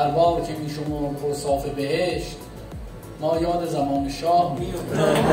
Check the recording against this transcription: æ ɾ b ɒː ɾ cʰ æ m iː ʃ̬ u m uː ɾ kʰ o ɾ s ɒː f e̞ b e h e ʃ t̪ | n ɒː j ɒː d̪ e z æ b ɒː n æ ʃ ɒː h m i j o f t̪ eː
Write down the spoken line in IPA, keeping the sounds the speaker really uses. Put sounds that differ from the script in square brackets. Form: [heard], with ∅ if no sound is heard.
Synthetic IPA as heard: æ ɾ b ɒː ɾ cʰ [e] m iː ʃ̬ [o] m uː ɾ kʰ o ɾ s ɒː f e̞ b e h e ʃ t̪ | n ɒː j ɒː d̪ e z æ [m] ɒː n [e] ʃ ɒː h m i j o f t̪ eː

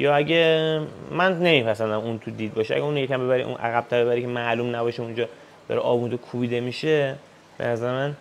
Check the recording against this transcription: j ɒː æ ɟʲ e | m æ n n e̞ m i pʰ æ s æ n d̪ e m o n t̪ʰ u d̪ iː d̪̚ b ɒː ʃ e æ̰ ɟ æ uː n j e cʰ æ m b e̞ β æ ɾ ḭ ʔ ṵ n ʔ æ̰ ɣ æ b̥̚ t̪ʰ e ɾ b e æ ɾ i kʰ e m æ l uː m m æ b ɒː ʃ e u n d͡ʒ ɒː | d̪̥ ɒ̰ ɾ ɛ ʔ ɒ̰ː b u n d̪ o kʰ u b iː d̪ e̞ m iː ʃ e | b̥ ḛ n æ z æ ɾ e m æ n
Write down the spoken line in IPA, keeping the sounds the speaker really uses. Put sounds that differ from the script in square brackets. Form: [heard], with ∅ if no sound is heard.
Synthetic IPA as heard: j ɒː æ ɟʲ e | m æ n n e̞ m i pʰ æ s æ n d̪ [æ] m [u] n t̪ʰ u d̪ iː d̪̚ b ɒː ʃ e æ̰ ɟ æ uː n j e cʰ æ m b e̞ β æ ɾ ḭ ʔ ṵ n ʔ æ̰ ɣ æ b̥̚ t̪ʰ [æ] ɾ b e æ ɾ i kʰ e m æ l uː m [n] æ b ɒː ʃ e u n d͡ʒ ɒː | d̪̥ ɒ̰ ɾ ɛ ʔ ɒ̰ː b u n d̪ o kʰ u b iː d̪ e̞ m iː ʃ e | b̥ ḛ n æ z æ ɾ e m æ n

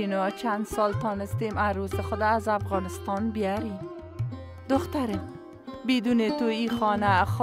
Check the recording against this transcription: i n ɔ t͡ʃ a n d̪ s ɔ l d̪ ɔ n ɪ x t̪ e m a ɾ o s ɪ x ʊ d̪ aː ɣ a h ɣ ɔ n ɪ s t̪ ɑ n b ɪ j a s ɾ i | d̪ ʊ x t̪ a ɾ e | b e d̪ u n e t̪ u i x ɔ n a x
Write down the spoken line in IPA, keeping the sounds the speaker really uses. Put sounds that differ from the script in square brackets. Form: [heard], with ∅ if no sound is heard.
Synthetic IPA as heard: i n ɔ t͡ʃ a n d̪ s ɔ l [t̪] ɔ n ɪ [s] t̪ e m a ɾ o s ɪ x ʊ d̪ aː [z] a [f] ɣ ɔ n ɪ s t̪ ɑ n b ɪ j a [∅] ɾ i | d̪ ʊ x t̪ a ɾ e | b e d̪ u n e t̪ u i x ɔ n a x

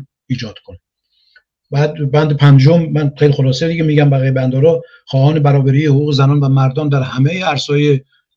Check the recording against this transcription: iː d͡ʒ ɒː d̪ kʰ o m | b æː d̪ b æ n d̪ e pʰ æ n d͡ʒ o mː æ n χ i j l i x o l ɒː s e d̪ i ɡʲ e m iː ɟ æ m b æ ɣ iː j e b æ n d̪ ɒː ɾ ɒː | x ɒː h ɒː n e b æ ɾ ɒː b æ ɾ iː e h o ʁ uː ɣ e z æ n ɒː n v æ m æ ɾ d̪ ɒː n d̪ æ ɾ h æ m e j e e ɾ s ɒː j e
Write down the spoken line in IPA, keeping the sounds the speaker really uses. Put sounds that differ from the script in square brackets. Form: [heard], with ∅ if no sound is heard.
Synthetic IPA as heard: iː d͡ʒ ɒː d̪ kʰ o [n] | b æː d̪ b æ n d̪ e pʰ æ n d͡ʒ o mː æ n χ [e] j l i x o l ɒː s e d̪ i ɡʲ e m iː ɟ æ m b æ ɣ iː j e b æ n d̪ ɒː ɾ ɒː | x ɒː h ɒː n e b æ ɾ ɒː b æ ɾ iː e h o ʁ uː ɣ e z æ n ɒː n v æ m æ ɾ d̪ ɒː n d̪ æ ɾ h æ m e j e [æ] ɾ s ɒː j e

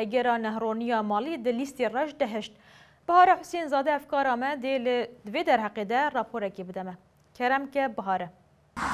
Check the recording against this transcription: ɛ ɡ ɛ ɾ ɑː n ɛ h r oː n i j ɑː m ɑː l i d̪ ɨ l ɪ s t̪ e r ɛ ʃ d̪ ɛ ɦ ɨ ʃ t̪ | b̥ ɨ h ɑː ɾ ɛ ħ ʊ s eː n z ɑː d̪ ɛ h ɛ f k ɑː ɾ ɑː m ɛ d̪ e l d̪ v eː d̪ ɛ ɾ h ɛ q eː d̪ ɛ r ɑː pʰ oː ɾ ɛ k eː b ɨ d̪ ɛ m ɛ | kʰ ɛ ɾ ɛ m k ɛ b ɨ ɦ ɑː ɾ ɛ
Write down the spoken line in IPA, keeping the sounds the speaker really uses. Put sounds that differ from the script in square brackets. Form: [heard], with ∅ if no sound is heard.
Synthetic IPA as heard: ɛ ɡ ɛ ɾ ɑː n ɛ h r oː n i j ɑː m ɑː l i d̪ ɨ l [i] s t̪ e r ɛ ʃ d̪ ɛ ɦ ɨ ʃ t̪ | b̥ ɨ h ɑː ɾ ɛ ħ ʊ s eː n z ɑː d̪ ɛ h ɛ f k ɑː ɾ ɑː m ɛ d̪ e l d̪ v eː d̪ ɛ ɾ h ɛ q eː d̪ ɛ r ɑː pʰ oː ɾ ɛ k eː b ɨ d̪ ɛ m ɛ | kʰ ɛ ɾ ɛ m k ɛ b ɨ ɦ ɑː ɾ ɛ

